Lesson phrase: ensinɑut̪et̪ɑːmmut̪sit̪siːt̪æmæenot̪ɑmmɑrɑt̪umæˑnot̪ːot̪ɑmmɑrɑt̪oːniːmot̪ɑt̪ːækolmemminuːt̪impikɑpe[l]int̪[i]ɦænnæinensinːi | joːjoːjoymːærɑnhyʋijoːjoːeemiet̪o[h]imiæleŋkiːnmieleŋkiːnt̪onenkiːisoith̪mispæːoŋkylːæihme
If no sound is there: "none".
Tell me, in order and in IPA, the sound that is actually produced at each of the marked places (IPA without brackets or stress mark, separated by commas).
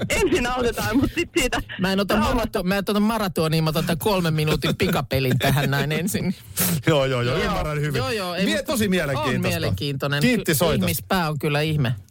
l, æ, s